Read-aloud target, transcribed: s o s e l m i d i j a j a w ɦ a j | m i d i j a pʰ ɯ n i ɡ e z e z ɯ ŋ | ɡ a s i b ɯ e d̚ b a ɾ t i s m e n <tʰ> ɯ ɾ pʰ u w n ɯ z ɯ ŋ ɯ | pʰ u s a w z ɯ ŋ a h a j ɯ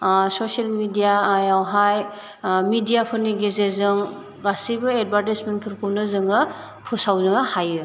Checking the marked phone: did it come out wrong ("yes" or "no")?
yes